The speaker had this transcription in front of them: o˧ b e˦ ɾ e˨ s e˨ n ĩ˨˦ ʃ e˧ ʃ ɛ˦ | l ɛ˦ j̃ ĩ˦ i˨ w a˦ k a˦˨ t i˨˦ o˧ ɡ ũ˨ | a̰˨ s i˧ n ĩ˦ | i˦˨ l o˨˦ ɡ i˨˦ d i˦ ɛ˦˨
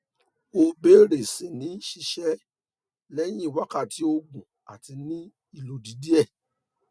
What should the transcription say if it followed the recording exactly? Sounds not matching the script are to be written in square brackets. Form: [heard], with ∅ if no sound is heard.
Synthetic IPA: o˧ b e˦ ɾ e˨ s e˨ n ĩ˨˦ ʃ [i˧] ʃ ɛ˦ | l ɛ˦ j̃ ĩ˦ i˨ w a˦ k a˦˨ t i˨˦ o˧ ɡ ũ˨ | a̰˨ [t] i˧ n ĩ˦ | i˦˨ l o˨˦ [d] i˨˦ d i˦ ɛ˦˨

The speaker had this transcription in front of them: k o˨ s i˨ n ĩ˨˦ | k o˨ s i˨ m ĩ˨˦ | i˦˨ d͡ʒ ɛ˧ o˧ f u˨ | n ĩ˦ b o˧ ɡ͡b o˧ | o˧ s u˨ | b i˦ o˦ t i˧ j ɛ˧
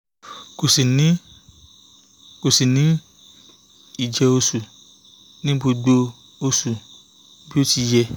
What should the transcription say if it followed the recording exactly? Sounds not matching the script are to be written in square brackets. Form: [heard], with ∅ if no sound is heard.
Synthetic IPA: k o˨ s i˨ n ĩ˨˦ | k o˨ s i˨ [n] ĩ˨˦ | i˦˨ d͡ʒ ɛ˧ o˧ [s] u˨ | n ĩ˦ b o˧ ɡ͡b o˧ | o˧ s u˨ | b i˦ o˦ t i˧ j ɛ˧

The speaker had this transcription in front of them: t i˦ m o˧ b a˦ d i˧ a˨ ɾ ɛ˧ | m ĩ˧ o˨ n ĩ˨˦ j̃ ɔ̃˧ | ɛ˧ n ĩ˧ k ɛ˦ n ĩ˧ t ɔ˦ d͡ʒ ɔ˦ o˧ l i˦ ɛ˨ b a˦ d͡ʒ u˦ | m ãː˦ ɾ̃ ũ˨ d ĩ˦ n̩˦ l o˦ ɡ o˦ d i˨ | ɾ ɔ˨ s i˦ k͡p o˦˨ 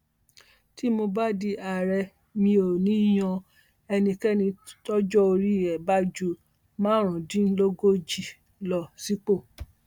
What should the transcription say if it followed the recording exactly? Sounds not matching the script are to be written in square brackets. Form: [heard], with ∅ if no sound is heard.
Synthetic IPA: t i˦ m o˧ b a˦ d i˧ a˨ ɾ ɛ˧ | m ĩ˧ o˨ n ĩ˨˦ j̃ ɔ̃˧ | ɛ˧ n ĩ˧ k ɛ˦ n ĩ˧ t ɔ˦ d͡ʒ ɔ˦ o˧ [ɾ] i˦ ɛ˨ b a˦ d͡ʒ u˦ | m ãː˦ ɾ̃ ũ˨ d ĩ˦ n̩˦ l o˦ ɡ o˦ [d͡ʒ] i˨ | [l] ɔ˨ s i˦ k͡p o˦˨

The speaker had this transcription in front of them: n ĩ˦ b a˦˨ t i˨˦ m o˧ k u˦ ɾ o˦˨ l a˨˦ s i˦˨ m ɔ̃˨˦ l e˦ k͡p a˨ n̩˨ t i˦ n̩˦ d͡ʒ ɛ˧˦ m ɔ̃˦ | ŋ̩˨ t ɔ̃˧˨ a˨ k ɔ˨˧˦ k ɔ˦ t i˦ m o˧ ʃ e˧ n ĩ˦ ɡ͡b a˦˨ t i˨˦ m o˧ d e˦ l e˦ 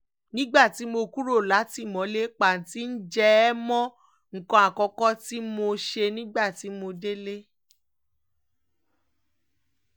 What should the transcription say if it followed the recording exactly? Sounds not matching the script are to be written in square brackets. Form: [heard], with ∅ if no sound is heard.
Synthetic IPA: n ĩ˦ [ɡ͡b] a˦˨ t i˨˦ m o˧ k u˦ ɾ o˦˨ l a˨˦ [t] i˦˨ m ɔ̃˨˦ l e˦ k͡p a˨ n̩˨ t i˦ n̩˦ d͡ʒ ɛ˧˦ m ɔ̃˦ | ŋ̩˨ [k] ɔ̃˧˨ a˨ k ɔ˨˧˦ k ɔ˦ t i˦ m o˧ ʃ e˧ n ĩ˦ ɡ͡b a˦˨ t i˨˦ m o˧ d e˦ l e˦

